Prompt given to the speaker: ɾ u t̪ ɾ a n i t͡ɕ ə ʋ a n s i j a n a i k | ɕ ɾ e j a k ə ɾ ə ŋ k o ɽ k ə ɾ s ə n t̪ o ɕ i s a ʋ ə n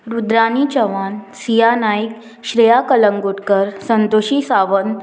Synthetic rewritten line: ɾ u d̪ ɾ a n i t͡ɕ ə ʋ a n s i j a n a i k | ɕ ɾ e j a k ə l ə ŋ ɡ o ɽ k ə ɾ s ə n t̪ o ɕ i s a ʋ ə n